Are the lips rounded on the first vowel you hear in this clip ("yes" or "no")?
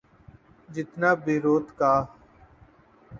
no